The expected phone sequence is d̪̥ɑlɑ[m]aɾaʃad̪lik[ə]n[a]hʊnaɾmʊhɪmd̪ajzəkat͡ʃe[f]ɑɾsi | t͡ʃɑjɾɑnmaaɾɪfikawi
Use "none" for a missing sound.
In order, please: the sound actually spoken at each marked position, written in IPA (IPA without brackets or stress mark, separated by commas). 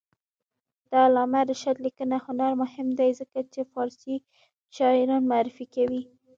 m, ə, a, f